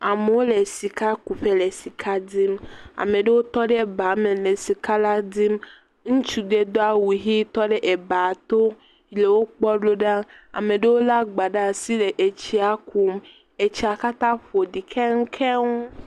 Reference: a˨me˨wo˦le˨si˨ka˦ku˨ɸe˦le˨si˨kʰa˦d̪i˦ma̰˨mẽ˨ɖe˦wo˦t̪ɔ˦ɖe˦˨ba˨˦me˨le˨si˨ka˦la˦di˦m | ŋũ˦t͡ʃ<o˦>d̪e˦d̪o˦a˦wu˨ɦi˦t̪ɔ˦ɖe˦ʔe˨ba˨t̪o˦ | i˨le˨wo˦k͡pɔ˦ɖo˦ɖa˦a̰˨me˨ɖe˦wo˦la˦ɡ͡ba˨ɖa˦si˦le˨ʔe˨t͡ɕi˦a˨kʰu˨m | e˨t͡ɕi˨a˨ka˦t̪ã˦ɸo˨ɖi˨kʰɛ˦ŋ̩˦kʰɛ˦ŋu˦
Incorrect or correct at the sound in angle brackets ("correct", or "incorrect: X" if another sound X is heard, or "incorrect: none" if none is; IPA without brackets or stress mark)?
incorrect: u˦